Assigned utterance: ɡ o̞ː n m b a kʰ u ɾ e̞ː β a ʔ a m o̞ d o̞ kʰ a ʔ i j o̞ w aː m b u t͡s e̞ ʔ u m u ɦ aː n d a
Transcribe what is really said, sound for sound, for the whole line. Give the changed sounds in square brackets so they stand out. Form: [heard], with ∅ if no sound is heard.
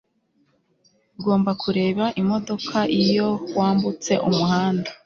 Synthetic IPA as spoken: ɡ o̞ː [∅] m b a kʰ u ɾ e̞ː β a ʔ [i] m o̞ d o̞ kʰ a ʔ i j o̞ w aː m b u t͡s e̞ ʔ u m u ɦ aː n d a